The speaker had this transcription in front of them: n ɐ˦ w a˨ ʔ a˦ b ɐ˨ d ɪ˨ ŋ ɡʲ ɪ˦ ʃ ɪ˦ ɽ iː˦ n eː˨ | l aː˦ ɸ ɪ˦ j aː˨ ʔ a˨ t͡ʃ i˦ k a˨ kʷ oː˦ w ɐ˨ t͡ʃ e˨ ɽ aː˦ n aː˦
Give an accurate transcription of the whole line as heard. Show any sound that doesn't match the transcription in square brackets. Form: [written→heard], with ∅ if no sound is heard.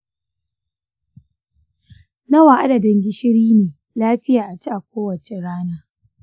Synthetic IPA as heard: n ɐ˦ w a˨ ʔ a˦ [b→d] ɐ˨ d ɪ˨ ŋ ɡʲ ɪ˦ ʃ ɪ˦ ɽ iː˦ n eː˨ | l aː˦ ɸ ɪ˦ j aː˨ ʔ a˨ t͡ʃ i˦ [k→ʔ] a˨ kʷ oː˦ w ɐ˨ t͡ʃ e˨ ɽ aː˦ n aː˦